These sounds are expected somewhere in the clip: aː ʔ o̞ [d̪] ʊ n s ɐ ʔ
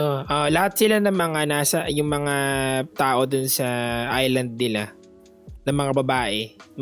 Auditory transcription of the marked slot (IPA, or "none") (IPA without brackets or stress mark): d̪